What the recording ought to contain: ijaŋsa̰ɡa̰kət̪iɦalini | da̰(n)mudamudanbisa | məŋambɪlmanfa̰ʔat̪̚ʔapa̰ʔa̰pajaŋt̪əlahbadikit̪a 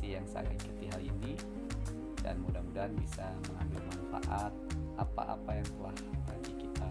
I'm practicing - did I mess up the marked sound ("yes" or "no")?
no